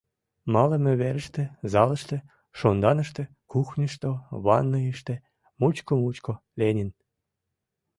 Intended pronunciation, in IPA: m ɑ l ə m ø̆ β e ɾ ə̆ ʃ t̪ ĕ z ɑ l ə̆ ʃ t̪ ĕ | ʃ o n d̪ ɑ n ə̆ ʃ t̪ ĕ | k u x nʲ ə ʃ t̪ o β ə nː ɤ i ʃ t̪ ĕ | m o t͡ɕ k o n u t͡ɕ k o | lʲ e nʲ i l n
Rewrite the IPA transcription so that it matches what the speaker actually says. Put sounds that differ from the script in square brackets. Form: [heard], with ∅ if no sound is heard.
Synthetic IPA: m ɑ l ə m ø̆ β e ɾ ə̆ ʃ t̪ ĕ z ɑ l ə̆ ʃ t̪ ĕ | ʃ o n d̪ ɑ n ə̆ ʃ t̪ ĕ | k u x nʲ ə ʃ t̪ o β [ɑ] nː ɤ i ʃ t̪ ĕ | m [u] t͡ɕ k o [m] u t͡ɕ k o | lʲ e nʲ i [∅] n